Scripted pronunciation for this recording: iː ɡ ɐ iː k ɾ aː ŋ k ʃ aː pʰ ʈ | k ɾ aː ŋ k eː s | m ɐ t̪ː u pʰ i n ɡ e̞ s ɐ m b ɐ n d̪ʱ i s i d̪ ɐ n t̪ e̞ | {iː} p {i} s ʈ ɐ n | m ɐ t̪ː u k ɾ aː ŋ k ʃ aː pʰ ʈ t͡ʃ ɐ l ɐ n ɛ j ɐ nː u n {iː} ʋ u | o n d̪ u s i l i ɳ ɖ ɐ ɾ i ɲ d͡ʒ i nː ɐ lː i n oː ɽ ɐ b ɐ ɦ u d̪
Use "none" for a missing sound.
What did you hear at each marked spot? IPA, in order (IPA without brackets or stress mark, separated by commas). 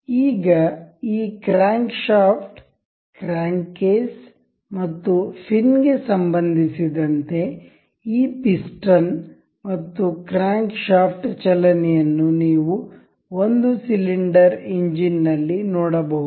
iː, i, iː